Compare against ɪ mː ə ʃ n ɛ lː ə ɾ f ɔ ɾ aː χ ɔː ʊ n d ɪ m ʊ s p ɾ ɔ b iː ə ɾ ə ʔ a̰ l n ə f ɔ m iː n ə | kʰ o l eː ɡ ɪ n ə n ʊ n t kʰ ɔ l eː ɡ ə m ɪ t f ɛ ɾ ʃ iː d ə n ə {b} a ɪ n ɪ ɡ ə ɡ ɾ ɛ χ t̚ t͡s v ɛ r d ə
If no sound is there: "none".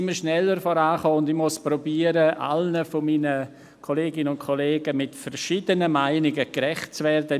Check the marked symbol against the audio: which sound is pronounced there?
m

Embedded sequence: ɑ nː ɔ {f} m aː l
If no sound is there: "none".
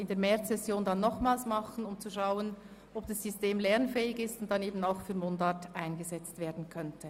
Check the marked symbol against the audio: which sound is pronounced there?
χ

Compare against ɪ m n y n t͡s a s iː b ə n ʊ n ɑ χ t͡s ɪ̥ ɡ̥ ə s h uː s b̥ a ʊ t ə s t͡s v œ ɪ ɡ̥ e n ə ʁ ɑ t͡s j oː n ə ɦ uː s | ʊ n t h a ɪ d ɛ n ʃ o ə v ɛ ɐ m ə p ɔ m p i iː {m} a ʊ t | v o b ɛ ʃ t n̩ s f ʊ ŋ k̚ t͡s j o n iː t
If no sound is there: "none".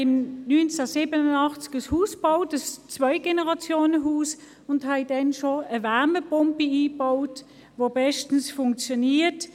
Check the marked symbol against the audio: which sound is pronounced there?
b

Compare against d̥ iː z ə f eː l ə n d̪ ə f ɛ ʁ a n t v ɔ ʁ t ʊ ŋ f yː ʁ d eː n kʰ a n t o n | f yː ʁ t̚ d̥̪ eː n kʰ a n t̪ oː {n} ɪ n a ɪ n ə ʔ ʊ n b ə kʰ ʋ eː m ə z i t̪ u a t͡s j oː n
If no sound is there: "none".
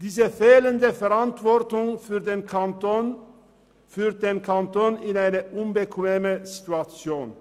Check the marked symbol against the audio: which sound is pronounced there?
n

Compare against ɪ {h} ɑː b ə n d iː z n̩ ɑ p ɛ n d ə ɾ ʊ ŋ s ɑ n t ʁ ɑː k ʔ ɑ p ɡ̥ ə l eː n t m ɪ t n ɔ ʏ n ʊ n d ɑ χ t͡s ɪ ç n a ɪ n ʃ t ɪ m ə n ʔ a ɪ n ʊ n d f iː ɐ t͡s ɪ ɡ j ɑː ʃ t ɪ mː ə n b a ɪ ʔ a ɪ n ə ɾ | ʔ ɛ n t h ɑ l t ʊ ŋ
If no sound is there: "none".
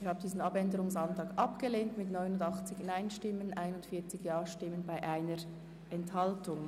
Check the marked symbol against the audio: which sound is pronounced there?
h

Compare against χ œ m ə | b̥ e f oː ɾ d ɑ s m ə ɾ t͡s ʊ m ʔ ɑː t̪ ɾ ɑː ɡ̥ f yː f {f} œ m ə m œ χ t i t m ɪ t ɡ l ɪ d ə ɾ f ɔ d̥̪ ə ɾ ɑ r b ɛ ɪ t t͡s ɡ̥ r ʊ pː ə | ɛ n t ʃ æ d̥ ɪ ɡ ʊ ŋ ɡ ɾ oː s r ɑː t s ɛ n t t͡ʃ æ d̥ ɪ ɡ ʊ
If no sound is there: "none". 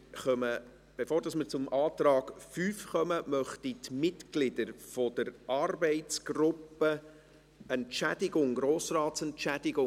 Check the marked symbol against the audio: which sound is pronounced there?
χ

